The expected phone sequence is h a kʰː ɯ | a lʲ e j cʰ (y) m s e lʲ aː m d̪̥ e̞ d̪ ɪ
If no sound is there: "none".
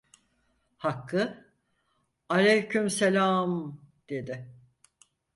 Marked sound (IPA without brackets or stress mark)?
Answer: y